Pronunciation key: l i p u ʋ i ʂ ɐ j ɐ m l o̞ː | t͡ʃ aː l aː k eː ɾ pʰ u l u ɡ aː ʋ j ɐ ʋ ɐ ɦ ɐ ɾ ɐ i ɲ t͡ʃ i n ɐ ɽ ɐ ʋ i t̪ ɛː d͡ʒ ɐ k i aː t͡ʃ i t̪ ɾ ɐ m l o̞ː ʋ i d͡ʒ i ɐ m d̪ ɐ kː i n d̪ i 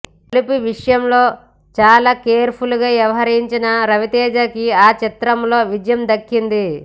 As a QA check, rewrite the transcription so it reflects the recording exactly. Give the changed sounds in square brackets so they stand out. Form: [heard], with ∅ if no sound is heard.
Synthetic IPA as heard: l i p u ʋ i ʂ ɐ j ɐ m l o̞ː | t͡ʃ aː l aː k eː ɾ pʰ u l u ɡ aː ʋ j ɐ ʋ ɐ ɦ ɐ ɾ ɐ i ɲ t͡ʃ i n ɐ [ɾ] ɐ ʋ i t̪ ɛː d͡ʒ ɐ k i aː t͡ʃ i t̪ ɾ ɐ m l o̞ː ʋ i d͡ʒ [j] ɐ m d̪ ɐ kː i n d̪ i